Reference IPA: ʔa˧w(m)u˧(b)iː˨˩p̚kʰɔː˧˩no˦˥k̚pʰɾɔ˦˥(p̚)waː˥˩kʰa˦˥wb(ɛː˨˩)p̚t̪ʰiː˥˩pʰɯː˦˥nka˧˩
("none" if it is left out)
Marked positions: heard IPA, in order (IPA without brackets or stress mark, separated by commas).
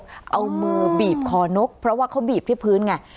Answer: m, b, none, iː˨˩